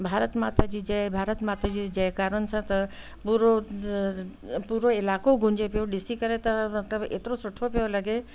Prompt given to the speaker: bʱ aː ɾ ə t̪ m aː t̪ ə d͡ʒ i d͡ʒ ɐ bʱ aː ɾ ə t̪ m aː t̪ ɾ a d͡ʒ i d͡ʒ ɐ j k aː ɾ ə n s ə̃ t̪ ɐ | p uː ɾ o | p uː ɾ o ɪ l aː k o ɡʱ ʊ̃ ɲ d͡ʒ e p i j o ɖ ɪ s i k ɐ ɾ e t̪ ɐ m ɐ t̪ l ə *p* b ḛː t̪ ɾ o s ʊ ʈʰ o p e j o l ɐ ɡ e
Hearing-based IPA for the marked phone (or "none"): none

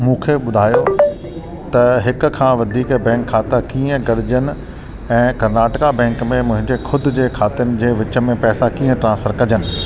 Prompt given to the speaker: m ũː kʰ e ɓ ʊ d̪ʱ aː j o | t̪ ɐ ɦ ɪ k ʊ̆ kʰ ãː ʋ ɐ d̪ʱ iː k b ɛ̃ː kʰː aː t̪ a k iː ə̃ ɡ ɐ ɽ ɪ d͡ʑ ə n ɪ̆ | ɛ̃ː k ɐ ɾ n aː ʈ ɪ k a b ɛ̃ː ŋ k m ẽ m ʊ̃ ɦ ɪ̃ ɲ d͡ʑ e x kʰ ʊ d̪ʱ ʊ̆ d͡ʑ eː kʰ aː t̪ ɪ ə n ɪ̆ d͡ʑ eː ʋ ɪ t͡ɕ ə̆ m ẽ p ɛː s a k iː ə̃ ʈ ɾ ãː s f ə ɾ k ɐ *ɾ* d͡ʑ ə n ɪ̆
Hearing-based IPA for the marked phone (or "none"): none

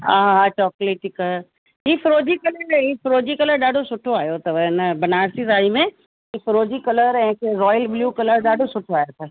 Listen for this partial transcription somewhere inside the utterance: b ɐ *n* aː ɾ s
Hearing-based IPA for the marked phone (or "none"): n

